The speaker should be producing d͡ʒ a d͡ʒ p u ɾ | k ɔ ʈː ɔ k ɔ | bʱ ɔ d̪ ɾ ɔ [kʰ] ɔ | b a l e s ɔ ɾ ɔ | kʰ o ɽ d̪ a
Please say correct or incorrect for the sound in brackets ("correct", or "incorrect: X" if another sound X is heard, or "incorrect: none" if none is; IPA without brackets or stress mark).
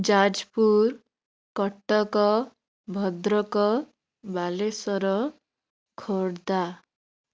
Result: incorrect: k